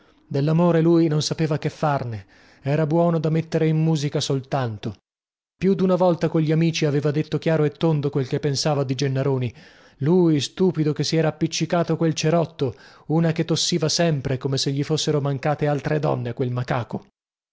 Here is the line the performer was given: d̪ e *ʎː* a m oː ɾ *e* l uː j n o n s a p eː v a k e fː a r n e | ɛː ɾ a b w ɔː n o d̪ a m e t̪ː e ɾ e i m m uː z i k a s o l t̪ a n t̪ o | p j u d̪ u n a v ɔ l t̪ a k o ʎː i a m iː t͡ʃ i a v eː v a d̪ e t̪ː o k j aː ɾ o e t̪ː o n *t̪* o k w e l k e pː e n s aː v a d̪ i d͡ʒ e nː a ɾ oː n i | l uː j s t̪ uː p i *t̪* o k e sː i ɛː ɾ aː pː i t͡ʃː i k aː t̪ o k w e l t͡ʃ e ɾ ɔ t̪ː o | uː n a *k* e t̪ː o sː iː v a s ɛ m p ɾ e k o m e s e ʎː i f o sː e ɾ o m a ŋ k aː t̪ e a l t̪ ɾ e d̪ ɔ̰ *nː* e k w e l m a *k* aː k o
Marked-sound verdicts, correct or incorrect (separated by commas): incorrect, correct, incorrect, incorrect, correct, correct, correct